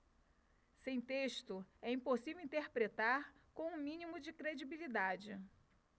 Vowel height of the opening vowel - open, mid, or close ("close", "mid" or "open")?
mid